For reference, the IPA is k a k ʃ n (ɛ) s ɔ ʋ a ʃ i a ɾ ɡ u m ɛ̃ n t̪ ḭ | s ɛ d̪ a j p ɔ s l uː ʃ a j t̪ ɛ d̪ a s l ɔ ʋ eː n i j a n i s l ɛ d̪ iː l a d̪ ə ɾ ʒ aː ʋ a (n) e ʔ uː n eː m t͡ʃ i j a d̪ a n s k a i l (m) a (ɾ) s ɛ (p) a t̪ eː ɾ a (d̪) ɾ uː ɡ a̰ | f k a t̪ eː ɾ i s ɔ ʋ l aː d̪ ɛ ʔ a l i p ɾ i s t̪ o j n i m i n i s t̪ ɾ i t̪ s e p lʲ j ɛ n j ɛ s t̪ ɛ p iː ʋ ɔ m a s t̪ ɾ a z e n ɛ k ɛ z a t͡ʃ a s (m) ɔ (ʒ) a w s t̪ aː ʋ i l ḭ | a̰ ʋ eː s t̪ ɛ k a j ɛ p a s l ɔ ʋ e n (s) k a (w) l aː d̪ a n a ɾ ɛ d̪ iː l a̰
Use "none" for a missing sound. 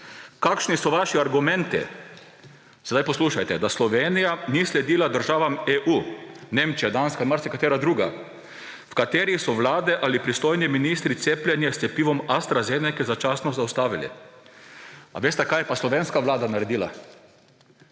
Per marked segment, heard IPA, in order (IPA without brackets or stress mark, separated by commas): i, m, m, ɾ, k, d̪, n, z, s, ʋ